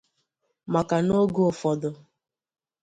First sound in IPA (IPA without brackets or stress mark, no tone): m